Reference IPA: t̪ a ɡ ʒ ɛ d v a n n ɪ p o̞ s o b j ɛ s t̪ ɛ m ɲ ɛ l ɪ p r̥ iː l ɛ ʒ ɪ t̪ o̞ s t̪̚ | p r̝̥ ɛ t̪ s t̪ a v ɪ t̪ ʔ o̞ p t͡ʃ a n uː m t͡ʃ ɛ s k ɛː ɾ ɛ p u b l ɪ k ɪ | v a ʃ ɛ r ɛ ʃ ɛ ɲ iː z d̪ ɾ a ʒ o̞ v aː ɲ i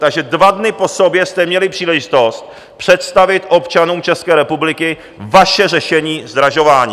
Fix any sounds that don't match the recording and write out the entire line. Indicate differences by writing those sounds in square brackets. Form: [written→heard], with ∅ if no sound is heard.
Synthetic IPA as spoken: t̪ a ɡ ʒ ɛ d v a [n→d] n ɪ p o̞ s o b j ɛ s t̪ ɛ m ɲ ɛ l ɪ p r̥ iː l ɛ ʒ ɪ t̪ o̞ s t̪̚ | p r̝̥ ɛ t̪ s t̪ a v ɪ t̪ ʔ o̞ p t͡ʃ a n uː m t͡ʃ ɛ s k ɛː ɾ ɛ p u b l ɪ k ɪ | v a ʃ ɛ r ɛ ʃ ɛ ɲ iː z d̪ ɾ a ʒ o̞ v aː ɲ i